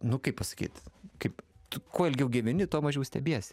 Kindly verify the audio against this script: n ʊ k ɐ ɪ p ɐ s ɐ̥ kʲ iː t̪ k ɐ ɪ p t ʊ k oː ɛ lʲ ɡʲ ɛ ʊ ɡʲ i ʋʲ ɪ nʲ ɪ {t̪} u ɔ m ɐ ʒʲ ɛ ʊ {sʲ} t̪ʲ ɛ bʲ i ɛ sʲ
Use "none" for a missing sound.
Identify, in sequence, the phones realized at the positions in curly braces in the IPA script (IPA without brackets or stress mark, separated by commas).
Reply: t̪, sʲ